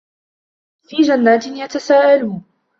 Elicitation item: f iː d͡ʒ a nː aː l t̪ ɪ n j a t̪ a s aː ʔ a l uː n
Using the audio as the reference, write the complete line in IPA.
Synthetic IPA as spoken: f iː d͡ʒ a nː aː t̪ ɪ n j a t̪ a s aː ʔ a l uː n